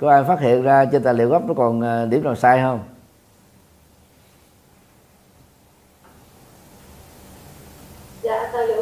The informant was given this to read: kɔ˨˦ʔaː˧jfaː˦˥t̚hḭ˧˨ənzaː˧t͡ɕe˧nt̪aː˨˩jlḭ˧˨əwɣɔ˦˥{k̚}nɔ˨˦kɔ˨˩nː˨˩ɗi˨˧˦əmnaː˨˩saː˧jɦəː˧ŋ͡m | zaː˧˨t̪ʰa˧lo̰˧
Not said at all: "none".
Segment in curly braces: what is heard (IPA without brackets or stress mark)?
p̚